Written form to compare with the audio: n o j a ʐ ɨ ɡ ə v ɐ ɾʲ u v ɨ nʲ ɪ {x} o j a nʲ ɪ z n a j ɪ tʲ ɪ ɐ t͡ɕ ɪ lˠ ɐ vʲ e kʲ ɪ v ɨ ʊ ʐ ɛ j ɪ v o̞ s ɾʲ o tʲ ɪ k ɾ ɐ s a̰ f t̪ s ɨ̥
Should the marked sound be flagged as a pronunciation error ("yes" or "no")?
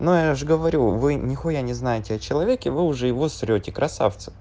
no